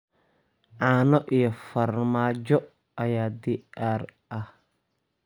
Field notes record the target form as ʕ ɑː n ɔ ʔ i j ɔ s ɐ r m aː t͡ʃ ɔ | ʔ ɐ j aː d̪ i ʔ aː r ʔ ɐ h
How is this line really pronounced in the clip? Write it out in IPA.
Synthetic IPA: ʕ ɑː n ɔ ʔ i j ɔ f ɐ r m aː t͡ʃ ɔ | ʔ ɐ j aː d̪ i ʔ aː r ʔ ɐ h